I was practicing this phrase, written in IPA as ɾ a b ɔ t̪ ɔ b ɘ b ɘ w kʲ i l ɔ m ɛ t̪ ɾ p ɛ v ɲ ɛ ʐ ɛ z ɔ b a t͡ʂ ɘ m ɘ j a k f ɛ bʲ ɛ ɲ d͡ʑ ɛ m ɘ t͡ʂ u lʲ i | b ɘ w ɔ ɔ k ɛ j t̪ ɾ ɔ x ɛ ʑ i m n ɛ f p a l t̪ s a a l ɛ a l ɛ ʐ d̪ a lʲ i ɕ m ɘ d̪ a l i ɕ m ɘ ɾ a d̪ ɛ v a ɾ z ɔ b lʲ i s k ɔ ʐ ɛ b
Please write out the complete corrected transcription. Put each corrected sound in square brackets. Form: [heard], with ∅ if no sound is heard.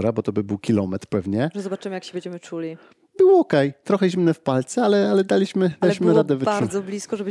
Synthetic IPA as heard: ɾ a b ɔ t̪ ɔ b ɘ b ɘ w kʲ i l ɔ m ɛ t̪ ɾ p ɛ v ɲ ɛ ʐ ɛ z ɔ b a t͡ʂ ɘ m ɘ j a k [ɕ] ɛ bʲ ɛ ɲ d͡ʑ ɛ m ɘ t͡ʂ u lʲ i | b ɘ w ɔ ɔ k ɛ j t̪ ɾ ɔ x ɛ ʑ i m n ɛ f p a l t̪ s [ɛ] a l ɛ a l ɛ [∅] d̪ a lʲ i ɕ m ɘ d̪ a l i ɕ m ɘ ɾ a d̪ ɛ v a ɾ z ɔ b lʲ i s k ɔ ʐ ɛ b